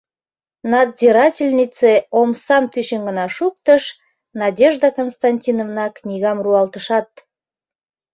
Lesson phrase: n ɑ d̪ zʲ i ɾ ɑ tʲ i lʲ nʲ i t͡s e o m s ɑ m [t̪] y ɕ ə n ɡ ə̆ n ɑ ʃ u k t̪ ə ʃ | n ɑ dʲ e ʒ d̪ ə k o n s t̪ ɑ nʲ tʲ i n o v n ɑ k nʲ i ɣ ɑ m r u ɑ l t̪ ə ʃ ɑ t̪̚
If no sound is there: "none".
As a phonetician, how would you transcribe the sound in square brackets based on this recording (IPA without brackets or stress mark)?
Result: t̪